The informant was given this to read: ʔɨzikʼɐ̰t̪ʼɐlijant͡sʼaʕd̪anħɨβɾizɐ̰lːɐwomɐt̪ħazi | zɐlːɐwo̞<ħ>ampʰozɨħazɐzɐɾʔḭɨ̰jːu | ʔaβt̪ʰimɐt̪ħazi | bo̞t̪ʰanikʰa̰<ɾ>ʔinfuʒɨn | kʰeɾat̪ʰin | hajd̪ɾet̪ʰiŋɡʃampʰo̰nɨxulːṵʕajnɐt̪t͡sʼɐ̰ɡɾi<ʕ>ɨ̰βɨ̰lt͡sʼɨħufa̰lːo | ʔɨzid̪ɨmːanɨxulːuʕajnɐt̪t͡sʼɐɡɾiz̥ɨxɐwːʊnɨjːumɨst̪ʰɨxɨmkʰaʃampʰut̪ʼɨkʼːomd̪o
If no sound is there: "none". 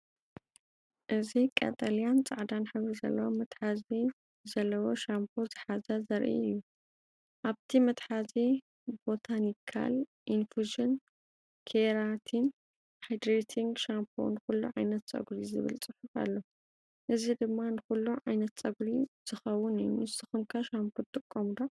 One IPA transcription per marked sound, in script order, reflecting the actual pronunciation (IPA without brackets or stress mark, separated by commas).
ʃ, l, z